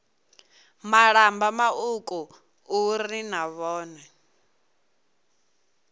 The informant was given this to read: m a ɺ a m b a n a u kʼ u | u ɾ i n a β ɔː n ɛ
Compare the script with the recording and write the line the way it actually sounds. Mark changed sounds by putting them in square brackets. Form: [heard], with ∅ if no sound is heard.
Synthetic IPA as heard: m a ɺ a m b a [m] a u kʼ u | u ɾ i n a β ɔː n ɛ